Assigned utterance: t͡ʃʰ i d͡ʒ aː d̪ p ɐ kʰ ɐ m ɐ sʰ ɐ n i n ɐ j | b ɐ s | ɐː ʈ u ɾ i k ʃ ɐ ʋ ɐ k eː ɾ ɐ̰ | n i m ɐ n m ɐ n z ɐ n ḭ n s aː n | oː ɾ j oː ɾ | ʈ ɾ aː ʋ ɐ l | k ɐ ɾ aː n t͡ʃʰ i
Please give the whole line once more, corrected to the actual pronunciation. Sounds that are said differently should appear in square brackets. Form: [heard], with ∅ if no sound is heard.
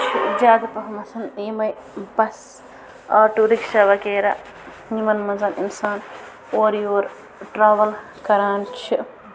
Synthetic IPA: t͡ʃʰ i d͡ʒ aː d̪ p ɐ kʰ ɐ m ɐ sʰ ɐ n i [m] ɐ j | b ɐ s | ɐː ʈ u ɾ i k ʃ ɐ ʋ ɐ k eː ɾ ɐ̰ | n i m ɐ n m ɐ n z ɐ n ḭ n s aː n | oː ɾ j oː ɾ | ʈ ɾ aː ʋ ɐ l | k ɐ ɾ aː n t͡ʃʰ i